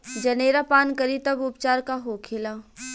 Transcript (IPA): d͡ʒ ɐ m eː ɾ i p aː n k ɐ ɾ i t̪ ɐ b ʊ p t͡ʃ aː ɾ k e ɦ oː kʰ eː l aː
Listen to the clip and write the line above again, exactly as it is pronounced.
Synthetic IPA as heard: d͡ʒ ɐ n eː ɾ a p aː n k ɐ ɾ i t̪ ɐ b ʊ p t͡ʃ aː ɾ k a ɦ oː kʰ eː l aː